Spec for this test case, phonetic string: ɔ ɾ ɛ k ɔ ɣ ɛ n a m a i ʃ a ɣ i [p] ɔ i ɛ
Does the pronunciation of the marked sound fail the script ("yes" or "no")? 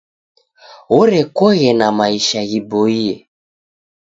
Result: yes